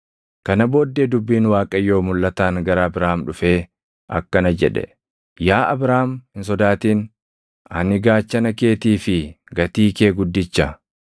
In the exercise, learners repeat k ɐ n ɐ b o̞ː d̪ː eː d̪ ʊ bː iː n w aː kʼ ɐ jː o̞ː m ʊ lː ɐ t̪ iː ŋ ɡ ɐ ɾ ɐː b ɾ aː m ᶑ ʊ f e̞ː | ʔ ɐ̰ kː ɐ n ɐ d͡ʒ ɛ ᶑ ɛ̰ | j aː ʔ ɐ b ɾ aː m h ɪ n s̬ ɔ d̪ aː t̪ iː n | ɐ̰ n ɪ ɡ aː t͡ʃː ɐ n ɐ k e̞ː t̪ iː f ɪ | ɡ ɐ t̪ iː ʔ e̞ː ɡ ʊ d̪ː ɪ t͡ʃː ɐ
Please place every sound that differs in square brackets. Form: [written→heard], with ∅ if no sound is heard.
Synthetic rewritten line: k ɐ n ɐ b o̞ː d̪ː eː d̪ ʊ bː iː n w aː kʼ ɐ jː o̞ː m ʊ lː ɐ t̪ [iː→aː] ŋ ɡ ɐ ɾ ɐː b ɾ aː m ᶑ ʊ f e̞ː | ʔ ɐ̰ kː ɐ n ɐ d͡ʒ ɛ ᶑ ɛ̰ | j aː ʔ ɐ b ɾ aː m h ɪ n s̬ ɔ d̪ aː t̪ iː n | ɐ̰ n ɪ ɡ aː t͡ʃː ɐ n ɐ k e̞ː t̪ iː f ɪ | ɡ ɐ t̪ iː [ʔ→k] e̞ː ɡ ʊ d̪ː ɪ t͡ʃː ɐ